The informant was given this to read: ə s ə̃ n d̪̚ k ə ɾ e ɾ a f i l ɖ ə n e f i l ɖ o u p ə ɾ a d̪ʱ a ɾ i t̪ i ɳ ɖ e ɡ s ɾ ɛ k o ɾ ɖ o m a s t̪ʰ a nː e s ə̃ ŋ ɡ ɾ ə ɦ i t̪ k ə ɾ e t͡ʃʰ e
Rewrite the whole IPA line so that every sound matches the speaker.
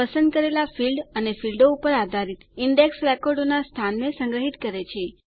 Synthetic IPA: ə s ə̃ n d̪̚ k ə ɾ e l a f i l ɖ ə n e f i l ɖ o u p ə ɾ a d̪ʱ a ɾ i t̪ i ɳ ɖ e k s ɾ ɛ k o ɾ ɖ o n a s t̪ʰ a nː e s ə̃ ŋ ɡ ɾ ə ɦ i t̪ k ə ɾ e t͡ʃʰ e